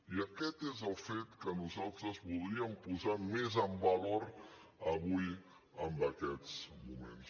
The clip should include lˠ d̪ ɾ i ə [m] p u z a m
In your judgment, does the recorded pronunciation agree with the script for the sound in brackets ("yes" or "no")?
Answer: yes